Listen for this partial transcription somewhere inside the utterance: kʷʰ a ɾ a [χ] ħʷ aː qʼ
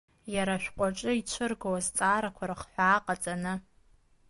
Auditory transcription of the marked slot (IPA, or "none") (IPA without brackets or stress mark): χ